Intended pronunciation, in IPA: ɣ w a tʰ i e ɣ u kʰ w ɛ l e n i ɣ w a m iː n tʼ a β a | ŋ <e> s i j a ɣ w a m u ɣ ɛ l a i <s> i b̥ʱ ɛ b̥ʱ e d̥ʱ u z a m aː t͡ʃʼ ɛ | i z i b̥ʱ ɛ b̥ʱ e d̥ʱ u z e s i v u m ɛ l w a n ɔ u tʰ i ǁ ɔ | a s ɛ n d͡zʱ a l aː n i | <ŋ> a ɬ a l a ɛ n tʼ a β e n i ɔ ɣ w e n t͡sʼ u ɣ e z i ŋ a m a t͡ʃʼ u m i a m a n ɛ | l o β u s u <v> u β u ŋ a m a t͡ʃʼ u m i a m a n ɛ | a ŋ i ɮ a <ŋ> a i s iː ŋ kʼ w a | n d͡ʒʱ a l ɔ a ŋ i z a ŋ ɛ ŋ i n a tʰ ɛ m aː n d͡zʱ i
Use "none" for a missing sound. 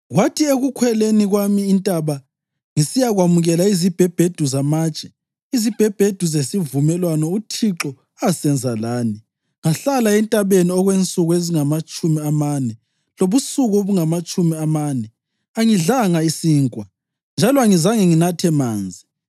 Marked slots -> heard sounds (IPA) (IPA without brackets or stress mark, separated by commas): i, z, ŋ, ɣ, ŋ